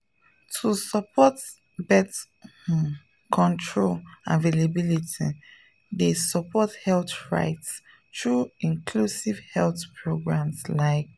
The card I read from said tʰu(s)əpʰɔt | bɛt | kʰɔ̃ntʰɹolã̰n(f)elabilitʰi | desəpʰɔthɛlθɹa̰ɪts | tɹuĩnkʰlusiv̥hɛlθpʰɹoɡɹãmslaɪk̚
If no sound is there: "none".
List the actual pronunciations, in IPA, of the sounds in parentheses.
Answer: s, v

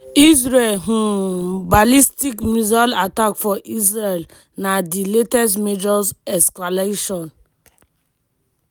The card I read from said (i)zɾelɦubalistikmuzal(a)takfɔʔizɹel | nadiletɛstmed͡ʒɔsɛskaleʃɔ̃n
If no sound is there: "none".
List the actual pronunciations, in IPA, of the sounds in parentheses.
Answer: i, a

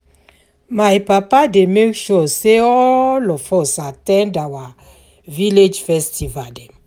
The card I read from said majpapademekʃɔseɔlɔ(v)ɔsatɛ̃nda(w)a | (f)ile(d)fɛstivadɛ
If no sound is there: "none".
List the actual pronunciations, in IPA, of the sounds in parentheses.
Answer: f, w, v, d͡ʒ

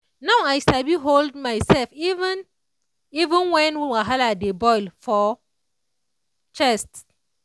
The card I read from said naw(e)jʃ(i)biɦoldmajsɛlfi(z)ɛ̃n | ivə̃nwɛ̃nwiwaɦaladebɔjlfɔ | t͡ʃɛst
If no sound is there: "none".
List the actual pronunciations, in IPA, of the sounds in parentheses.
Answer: a, a, v

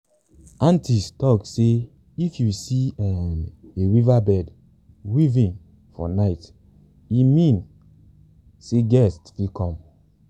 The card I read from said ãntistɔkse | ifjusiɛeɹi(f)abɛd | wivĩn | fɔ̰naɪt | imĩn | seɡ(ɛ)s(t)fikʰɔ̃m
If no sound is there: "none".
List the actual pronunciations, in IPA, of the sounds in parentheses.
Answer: v, ɛ, t

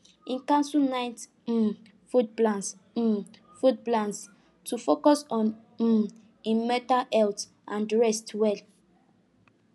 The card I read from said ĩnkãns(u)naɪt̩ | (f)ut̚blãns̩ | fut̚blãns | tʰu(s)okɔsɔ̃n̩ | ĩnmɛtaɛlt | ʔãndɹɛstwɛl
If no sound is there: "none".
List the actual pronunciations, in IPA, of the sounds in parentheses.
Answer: u, f, f

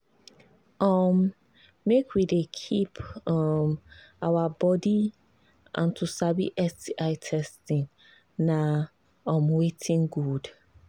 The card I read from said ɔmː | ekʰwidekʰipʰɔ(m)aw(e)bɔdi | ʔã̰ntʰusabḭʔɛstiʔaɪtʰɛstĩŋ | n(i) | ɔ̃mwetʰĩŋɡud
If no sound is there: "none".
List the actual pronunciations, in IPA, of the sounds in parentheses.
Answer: m, a, a

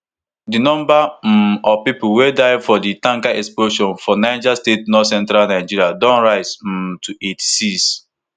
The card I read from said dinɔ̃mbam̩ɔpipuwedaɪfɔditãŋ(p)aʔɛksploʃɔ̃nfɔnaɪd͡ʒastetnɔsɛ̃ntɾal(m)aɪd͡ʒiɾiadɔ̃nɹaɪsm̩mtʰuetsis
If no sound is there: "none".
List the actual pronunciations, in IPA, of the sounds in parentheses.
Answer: k, n

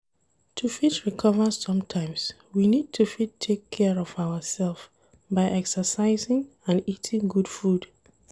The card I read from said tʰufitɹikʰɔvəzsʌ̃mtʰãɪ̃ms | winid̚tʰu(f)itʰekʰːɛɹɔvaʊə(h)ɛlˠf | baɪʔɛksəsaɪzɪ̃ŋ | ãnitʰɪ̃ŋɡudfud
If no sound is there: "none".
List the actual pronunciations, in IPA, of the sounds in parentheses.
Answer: f, s

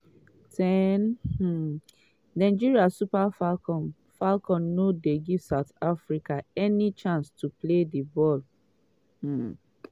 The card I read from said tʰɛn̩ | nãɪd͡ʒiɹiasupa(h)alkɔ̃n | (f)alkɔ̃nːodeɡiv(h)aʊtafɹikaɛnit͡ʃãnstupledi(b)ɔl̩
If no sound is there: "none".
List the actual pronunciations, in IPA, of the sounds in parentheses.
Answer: f, f, s, b

